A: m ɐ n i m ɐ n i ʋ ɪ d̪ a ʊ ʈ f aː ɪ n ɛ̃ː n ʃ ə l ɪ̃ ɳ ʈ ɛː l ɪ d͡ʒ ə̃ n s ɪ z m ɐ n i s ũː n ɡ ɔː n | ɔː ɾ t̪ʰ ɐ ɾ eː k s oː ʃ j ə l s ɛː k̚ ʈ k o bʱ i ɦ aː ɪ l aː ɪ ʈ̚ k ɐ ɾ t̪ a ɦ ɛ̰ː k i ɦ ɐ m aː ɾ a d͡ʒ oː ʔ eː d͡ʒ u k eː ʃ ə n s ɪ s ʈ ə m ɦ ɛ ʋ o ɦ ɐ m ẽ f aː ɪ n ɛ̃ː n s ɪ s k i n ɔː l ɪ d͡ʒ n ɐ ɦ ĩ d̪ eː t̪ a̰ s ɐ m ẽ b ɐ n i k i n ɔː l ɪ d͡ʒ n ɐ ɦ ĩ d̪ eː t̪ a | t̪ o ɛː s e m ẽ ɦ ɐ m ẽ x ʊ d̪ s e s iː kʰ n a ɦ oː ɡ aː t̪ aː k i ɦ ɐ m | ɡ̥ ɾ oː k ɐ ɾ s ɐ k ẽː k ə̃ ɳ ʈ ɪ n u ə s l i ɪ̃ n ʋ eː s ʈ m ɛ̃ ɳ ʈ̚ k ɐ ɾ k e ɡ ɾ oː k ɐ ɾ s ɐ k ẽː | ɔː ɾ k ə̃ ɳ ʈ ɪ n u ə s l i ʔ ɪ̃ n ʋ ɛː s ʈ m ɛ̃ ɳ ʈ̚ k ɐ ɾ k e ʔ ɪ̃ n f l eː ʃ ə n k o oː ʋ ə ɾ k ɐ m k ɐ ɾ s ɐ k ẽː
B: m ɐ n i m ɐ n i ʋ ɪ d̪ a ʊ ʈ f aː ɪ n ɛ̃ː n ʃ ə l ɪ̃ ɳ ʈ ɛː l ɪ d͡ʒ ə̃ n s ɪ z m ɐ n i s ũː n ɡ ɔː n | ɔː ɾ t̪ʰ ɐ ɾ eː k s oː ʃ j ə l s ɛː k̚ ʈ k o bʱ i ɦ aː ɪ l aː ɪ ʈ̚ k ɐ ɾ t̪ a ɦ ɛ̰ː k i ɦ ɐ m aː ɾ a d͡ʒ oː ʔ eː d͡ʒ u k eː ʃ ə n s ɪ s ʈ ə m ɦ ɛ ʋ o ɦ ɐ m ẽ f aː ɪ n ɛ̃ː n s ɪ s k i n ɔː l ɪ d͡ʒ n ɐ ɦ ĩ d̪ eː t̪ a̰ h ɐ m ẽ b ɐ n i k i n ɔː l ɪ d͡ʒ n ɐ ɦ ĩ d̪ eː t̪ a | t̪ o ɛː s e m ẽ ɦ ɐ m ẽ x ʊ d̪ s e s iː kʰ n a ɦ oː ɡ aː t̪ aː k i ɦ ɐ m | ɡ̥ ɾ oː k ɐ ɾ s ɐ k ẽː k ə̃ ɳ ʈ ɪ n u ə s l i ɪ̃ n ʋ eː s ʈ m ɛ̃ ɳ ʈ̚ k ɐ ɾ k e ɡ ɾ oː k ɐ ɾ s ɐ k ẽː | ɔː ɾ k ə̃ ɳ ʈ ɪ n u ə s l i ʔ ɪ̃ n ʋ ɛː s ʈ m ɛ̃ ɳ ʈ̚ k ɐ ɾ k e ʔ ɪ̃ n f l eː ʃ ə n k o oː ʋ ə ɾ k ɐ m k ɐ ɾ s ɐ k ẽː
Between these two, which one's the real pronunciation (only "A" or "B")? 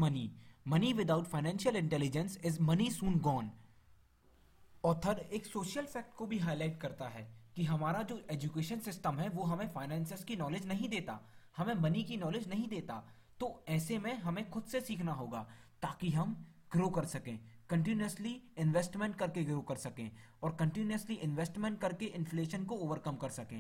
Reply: B